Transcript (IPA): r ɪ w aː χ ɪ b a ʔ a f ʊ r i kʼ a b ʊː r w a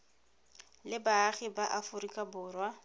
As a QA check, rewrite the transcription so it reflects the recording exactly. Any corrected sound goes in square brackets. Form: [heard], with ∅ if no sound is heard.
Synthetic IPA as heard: [l] ɪ [b] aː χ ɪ b a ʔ a f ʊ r i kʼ a b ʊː r w a